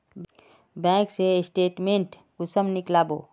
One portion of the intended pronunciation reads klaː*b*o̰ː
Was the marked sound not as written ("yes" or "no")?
no